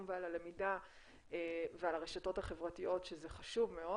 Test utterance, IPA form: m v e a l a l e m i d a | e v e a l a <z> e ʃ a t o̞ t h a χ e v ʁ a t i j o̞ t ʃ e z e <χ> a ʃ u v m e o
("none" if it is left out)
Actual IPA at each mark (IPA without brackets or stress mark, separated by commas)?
ʁ, χ